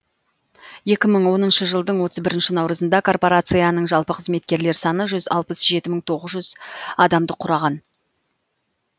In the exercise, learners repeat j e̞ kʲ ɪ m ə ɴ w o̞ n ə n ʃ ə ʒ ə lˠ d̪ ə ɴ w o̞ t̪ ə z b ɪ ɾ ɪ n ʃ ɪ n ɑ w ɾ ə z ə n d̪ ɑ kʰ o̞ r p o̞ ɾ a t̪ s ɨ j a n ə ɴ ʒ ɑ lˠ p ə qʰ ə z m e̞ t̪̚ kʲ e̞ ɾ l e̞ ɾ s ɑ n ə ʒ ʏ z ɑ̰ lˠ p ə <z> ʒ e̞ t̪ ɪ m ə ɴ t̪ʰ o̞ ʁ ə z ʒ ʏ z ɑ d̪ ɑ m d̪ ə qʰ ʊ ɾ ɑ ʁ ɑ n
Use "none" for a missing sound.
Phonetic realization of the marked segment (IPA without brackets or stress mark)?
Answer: s